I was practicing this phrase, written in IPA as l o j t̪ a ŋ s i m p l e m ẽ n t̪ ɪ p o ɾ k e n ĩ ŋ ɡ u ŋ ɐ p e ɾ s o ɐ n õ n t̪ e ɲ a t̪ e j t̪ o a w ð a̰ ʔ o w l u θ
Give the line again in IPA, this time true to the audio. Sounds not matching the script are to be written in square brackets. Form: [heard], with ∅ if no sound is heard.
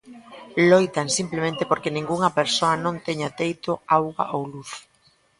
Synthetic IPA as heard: l o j t̪ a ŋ s i m p l e m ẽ n t̪ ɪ p o ɾ k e n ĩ ŋ ɡ u ŋ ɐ p e ɾ s o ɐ n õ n t̪ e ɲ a t̪ e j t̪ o a w [ɣ] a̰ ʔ o w l u θ